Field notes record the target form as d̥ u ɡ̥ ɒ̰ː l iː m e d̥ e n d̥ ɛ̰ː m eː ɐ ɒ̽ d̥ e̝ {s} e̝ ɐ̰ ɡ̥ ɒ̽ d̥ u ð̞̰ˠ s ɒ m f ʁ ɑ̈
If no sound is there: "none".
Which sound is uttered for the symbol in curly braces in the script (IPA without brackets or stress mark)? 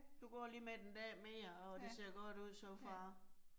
s